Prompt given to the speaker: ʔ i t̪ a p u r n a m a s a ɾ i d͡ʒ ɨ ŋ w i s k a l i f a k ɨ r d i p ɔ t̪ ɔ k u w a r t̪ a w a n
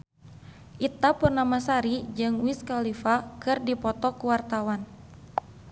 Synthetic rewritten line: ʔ i t̪ a p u r n a m a s a ɾ i d͡ʒ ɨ ŋ w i s k a l i f a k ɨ r d i p ɔ t̪ ɔ k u w a r t̪ a w a n